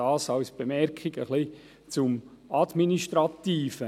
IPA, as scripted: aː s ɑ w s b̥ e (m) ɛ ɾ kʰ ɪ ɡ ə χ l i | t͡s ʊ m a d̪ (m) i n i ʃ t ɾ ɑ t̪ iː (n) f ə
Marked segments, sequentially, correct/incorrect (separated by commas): correct, correct, incorrect